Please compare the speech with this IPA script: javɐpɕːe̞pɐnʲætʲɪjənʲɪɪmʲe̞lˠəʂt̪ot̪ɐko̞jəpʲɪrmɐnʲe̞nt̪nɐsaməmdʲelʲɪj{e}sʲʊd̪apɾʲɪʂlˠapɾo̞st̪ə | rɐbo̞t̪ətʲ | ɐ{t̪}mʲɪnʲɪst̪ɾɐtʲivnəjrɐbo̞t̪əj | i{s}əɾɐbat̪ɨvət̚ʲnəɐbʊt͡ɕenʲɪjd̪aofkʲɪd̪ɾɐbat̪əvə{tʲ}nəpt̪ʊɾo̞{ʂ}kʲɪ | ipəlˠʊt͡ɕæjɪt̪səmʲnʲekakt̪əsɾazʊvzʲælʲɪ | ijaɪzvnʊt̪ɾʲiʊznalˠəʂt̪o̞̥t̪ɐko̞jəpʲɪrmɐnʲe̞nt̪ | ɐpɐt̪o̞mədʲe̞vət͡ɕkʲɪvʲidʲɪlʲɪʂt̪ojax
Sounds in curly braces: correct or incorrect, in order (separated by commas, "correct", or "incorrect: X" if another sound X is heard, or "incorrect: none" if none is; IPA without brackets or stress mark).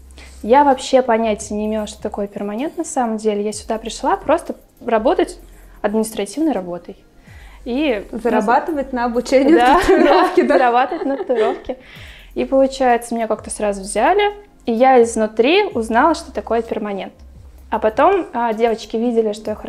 incorrect: a, incorrect: d̪, incorrect: z, correct, incorrect: f